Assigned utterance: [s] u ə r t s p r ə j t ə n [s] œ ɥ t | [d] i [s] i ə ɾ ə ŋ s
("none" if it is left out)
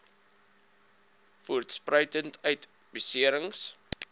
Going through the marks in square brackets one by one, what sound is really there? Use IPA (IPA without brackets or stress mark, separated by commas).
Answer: f, t, b, s